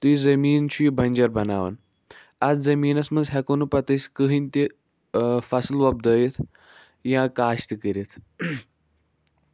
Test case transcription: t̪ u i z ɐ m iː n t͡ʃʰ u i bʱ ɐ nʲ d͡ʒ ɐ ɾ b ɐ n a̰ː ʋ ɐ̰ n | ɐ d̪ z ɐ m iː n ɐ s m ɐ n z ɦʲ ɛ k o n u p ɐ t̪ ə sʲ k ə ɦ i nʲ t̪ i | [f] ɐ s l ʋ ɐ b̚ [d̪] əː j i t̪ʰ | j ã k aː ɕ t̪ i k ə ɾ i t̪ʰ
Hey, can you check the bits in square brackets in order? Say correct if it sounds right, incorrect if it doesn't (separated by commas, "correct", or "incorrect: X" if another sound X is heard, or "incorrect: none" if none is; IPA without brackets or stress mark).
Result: correct, correct